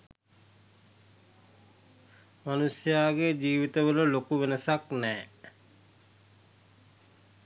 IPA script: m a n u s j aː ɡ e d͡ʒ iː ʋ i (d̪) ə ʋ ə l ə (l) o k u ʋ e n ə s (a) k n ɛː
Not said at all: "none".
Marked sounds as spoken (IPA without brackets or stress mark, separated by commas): t̪, l, a